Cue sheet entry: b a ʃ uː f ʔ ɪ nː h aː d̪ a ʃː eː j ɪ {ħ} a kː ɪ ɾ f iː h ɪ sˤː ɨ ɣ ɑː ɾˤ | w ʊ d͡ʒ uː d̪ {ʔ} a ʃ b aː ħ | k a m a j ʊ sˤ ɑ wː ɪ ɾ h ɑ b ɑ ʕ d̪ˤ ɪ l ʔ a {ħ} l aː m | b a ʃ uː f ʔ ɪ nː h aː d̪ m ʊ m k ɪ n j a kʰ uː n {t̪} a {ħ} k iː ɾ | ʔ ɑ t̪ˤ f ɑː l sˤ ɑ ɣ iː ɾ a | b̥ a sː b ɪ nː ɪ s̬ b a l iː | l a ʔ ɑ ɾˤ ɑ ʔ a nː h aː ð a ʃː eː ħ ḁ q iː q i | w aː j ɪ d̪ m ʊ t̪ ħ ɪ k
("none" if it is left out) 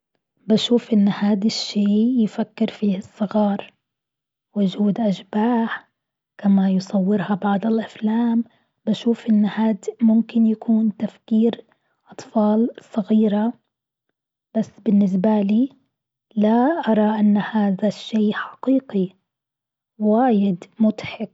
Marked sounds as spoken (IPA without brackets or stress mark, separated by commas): f, ʔ, f, t̪, f